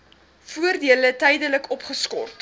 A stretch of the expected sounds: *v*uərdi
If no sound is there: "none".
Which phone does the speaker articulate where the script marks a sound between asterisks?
f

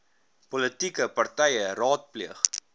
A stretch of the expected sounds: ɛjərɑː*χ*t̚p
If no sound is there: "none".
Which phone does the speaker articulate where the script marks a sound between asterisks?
none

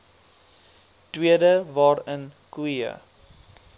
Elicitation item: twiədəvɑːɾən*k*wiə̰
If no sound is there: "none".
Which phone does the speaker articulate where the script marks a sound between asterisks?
k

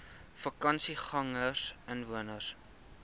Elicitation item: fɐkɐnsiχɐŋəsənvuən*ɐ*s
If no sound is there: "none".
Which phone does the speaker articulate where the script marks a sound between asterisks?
ə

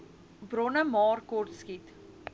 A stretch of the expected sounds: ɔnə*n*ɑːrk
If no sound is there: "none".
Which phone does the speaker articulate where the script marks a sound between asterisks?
m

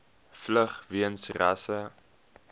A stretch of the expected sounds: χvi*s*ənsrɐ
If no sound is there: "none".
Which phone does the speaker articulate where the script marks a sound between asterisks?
none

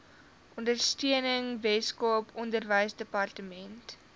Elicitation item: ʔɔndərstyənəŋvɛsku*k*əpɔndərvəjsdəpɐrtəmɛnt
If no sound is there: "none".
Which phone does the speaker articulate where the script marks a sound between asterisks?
none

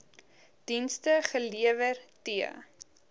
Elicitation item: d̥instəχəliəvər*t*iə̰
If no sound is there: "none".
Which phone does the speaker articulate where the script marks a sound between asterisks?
t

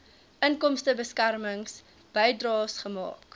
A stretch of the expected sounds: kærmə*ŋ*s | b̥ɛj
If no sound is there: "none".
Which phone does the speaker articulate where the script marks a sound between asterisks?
ŋ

